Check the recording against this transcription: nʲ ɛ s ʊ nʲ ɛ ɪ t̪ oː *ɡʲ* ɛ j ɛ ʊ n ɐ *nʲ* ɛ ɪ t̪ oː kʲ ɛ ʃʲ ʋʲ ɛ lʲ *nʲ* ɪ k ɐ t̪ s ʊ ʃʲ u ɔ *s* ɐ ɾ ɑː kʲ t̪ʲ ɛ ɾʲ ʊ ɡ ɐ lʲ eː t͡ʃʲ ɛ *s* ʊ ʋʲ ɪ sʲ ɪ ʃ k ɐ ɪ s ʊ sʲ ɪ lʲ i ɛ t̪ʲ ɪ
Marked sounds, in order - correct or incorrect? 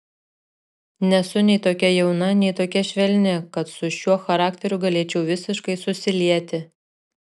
incorrect: kʲ, correct, correct, incorrect: x, incorrect: none

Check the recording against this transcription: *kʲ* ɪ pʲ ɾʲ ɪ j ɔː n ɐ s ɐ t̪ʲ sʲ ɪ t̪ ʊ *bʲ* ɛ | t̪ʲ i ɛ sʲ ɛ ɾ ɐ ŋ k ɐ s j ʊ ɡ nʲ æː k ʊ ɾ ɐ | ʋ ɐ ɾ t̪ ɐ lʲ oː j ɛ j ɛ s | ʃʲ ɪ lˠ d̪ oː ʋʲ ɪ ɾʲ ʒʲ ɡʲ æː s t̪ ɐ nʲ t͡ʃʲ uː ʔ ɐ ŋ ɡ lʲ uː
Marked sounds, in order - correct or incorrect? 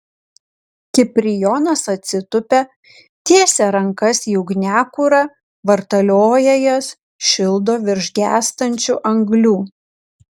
correct, incorrect: pʲ

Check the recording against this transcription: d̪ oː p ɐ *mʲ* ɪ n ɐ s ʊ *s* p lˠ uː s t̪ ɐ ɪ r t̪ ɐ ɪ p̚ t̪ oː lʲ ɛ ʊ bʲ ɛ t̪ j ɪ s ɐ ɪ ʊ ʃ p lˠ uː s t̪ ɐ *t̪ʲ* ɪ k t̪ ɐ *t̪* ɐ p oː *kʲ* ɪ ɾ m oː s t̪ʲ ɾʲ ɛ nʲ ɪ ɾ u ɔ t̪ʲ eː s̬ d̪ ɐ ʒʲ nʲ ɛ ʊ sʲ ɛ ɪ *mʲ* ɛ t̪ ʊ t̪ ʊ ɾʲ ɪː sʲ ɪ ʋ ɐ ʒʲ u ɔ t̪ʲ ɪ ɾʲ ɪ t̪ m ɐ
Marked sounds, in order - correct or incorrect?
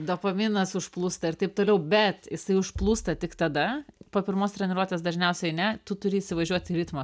correct, incorrect: ʃ, correct, incorrect: d̪, incorrect: pʲ, incorrect: nʲ

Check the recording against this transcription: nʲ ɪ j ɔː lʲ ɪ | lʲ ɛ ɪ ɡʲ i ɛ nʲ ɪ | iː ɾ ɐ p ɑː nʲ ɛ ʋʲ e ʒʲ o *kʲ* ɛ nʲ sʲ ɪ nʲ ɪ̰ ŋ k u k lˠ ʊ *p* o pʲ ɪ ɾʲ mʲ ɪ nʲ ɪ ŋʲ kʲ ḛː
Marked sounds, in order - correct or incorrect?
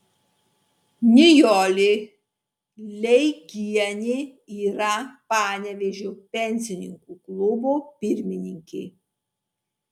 incorrect: pʲ, incorrect: b

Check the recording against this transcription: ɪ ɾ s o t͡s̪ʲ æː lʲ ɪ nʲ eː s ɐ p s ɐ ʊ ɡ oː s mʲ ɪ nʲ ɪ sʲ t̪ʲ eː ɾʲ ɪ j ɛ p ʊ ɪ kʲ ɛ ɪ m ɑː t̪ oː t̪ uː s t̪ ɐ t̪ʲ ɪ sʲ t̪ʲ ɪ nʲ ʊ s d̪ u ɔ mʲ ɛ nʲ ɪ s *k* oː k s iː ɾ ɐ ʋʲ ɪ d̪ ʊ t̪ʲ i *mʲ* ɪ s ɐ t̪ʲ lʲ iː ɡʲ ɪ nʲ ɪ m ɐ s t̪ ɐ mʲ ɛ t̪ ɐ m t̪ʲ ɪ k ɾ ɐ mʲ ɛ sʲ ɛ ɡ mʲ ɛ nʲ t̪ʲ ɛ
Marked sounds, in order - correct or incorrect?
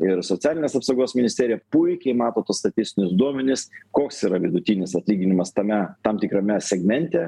correct, incorrect: nʲ

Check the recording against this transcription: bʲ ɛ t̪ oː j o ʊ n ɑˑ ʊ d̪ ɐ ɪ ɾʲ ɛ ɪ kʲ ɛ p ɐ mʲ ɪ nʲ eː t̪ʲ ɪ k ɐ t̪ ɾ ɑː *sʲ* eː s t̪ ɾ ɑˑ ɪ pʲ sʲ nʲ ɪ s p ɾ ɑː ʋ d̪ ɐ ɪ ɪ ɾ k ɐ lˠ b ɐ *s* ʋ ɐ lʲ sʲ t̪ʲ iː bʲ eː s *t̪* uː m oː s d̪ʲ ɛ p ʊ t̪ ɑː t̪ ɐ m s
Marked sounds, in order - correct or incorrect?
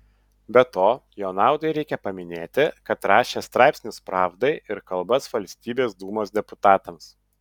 incorrect: ʃʲ, correct, incorrect: d̪

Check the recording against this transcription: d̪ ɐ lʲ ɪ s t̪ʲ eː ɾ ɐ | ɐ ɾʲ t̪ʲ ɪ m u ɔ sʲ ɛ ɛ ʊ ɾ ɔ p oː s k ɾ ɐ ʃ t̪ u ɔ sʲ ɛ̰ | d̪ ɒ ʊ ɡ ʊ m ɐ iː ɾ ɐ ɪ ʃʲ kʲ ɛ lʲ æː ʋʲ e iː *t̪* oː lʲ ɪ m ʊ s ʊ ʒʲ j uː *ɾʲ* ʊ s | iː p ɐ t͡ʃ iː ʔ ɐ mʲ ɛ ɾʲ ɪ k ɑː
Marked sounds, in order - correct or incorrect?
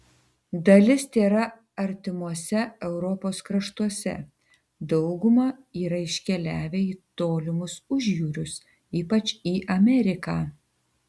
correct, correct

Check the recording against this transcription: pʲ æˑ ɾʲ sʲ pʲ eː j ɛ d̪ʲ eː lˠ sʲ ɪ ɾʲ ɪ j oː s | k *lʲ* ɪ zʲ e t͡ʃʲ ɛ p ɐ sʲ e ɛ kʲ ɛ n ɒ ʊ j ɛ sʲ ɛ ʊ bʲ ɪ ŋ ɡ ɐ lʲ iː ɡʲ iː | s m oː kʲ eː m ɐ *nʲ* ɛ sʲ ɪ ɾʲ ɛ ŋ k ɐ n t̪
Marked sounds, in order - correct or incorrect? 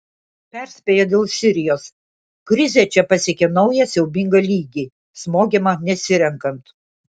incorrect: ɾʲ, correct

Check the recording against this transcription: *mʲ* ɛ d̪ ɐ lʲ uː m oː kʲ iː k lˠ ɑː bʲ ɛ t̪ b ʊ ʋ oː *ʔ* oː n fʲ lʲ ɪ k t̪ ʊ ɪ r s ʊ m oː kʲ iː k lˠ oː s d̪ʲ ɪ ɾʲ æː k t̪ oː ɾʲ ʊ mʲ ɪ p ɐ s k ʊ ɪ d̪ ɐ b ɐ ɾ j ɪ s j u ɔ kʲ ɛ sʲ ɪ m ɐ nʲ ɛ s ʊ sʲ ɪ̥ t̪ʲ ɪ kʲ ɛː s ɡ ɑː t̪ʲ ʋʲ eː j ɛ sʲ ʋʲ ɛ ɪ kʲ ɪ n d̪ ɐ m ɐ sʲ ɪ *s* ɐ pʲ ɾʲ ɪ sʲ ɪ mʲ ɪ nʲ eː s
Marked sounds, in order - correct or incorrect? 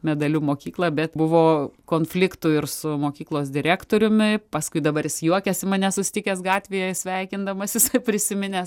correct, incorrect: k, correct

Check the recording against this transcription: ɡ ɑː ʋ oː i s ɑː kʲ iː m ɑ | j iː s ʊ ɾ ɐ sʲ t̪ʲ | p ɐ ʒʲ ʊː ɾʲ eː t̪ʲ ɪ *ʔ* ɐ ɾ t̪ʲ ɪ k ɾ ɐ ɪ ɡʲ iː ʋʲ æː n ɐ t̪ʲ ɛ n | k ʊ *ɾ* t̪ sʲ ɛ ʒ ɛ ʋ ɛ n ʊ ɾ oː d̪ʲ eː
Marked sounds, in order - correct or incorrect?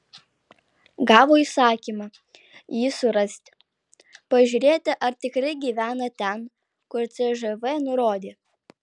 correct, correct

